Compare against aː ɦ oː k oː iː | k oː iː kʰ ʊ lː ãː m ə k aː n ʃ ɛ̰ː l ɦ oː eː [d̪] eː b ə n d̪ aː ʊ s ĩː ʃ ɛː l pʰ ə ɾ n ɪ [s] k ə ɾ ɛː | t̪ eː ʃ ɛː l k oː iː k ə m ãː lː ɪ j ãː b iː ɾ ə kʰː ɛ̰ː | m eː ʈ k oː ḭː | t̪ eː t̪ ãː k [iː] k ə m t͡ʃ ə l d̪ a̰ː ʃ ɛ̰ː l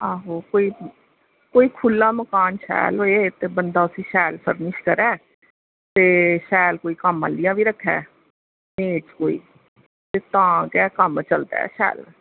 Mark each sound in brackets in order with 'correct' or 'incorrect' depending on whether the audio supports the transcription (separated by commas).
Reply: incorrect, incorrect, incorrect